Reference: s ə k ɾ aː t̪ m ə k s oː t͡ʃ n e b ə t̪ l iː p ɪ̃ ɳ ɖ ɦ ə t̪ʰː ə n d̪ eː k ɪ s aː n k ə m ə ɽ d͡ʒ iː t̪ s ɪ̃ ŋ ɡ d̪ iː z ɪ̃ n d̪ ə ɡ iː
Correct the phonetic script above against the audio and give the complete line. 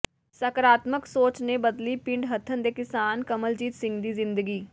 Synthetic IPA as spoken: s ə k ɾ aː t̪ m ə k s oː t͡ʃ n e b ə d̪ l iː p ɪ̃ ɳ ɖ ɦ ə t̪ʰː ə n d̪ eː k ɪ s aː n k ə m ə l d͡ʒ iː t̪ s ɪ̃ ŋ ɡ d̪ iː z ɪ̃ n d̪ ə ɡ iː

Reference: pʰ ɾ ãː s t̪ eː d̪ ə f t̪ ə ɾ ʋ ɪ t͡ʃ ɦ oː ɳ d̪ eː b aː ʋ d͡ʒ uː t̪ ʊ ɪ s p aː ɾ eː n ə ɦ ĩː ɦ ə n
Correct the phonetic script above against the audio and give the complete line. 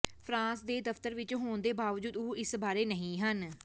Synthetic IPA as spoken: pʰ ɾ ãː s d̪ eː d̪ ə f t̪ ə ɾ ʋ ɪ t͡ʃ ɦ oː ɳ d̪ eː b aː ʋ d͡ʒ uː d̪ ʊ ɪ s b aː ɾ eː n ə ɦ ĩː ɦ ə n

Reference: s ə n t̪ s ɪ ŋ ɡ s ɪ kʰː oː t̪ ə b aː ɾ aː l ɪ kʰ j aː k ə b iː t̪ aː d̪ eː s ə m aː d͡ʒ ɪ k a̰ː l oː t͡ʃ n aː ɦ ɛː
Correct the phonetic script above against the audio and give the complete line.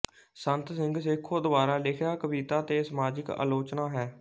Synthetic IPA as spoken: s ə n t̪ s ɪ ŋ ɡ s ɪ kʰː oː d̪ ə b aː ɾ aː l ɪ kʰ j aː k ə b iː t̪ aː t̪ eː s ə m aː d͡ʒ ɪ k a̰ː l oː t͡ʃ n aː ɦ ɛː

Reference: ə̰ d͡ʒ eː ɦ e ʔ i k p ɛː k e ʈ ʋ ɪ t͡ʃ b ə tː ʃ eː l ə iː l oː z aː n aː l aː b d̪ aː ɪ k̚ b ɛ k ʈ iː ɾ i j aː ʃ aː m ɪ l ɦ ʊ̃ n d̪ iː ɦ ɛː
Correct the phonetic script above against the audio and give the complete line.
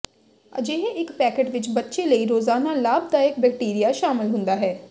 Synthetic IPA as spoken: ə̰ d͡ʒ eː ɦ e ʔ ɪ k p ɛː k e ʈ ʋ ɪ t͡ʃ b ə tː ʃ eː l ə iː ɾ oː z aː n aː l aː b d̪ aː ɪ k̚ b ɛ k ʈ iː ɾ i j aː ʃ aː m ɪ l ɦ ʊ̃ n d̪ aː ɦ ɛː

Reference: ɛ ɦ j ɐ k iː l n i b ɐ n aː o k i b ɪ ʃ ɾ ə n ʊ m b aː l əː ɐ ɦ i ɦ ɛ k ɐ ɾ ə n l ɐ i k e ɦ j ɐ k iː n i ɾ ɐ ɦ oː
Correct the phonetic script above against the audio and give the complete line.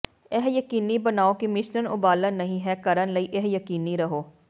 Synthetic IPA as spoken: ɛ ɦ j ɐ k iː n i b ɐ n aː o k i m ɪ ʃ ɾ ə n ʊ b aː l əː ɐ ɦ ĩ ɦ ɛ k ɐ ɾ ə n l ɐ i ʔ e ɦ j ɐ k iː n i ɾ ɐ ɦ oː

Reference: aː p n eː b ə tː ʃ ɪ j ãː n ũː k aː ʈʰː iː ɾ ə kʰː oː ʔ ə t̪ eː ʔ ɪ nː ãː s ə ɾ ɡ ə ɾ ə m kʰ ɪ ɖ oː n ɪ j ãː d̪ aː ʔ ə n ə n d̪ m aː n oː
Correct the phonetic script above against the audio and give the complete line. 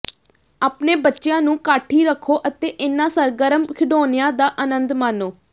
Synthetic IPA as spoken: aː p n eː b ə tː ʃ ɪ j ãː n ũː k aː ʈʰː iː ɾ ə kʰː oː ʔ ə t̪ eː ʔ ɪ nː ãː s ə ɾ ɡ ə ɾ ə m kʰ ɪ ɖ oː n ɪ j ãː d̪ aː ʔ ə n ə n d̪ m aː n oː

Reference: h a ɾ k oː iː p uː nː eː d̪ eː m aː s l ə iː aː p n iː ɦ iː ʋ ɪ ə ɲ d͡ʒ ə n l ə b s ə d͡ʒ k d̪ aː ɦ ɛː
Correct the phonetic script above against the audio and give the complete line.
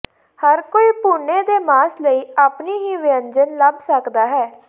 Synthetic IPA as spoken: h ə ɾ k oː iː p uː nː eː d̪ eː m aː s l ə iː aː p n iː ɦ iː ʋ ɪ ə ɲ d͡ʒ ə n l ə b s ə k d̪ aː ɦ ɛː

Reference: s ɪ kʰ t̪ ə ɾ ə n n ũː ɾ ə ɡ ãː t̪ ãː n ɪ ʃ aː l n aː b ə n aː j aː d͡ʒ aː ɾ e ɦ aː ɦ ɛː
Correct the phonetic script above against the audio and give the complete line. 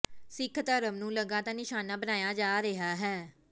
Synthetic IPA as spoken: s ɪ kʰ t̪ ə ɾ ə m n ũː l ə ɡ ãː t̪ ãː n ɪ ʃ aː n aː b ə n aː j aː d͡ʒ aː ɾ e ɦ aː ɦ ɛː

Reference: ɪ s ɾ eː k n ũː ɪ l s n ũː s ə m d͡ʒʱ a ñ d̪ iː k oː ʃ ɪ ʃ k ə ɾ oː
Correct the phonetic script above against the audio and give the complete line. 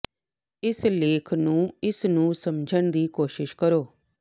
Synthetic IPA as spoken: ɪ s l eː kʰ n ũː ɪ s n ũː s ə m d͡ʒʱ ə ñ d̪ iː k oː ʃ ɪ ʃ k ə ɾ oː

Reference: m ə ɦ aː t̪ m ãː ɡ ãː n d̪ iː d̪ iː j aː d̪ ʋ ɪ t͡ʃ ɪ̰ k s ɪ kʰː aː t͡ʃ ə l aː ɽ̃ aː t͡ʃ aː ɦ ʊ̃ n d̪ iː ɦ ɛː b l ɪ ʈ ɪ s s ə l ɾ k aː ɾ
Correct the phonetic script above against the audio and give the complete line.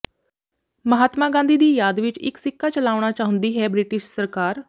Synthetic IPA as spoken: m ə ɦ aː t̪ m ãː ɡ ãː n d̪ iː d̪ iː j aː d̪ ʋ ɪ t͡ʃ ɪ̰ k s ɪ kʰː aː t͡ʃ ə l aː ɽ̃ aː t͡ʃ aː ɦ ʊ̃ n d̪ iː ɦ ɛː b ɾ ɪ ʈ ɪ ʃ s ə ɾ k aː ɾ

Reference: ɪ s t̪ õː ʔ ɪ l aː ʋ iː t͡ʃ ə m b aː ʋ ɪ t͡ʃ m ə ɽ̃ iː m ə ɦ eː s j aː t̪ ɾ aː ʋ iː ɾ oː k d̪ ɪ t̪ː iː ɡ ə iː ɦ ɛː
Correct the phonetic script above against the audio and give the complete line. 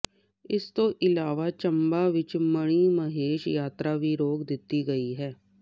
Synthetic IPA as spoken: ɪ s t̪ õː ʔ ɪ l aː ʋ aː t͡ʃ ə m b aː ʋ ɪ t͡ʃ m ə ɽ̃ iː m ə ɦ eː ʃ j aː t̪ ɾ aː ʋ iː ɾ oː k d̪ ɪ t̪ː iː ɡ ə iː ɦ ɛː

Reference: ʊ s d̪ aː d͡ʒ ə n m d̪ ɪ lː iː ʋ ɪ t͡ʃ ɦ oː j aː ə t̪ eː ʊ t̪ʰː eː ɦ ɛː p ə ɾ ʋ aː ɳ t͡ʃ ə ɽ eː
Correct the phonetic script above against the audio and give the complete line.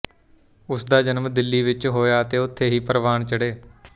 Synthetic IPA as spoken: ʊ s d̪ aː d͡ʒ ə n m d̪ ɪ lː iː ʋ ɪ t͡ʃ ɦ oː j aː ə t̪ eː ʊ t̪ʰː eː ɦ iː p ə ɾ ʋ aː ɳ t͡ʃ ə ɽ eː

